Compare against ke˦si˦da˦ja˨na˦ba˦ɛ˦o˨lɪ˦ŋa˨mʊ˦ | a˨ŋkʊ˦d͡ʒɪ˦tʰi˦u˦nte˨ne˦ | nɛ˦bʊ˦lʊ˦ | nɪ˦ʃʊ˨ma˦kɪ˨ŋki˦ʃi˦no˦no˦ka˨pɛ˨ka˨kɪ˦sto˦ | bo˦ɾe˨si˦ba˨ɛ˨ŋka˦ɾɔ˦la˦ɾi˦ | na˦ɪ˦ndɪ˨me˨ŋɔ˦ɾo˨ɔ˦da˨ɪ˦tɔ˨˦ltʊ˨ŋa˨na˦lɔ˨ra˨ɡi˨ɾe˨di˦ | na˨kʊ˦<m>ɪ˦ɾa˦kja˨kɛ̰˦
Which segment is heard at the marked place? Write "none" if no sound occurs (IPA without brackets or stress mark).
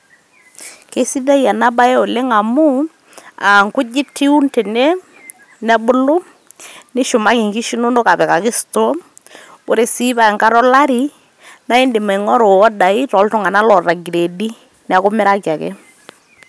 m